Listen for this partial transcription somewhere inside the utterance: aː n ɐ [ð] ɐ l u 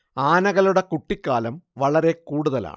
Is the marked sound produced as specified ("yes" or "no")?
no